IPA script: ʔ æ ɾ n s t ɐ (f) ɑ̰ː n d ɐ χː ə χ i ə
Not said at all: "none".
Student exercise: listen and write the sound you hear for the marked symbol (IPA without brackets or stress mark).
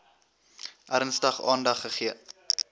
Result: χ